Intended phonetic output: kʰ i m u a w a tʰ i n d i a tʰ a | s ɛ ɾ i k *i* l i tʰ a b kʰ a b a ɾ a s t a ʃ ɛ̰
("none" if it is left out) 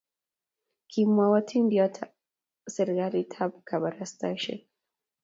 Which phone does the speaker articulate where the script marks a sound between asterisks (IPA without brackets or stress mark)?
a